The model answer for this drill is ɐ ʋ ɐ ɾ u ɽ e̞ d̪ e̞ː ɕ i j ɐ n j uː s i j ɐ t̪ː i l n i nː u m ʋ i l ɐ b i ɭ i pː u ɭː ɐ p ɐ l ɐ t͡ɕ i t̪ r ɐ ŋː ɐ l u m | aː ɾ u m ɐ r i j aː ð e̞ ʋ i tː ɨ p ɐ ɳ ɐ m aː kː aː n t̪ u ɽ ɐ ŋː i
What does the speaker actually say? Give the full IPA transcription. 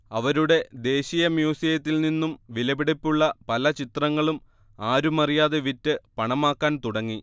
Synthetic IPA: ɐ ʋ ɐ ɾ u ɽ e̞ d̪ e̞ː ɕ i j ɐ m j uː s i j ɐ t̪ː i l n i nː u m ʋ i l ɐ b i ɽ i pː u ɭː ɐ p ɐ l ɐ t͡ɕ i t̪ r ɐ ŋː ɐ ɭ u m | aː ɾ u m ɐ r i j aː ð e̞ ʋ i tː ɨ p ɐ ɳ ɐ m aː kː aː n t̪ u ɽ ɐ ŋː i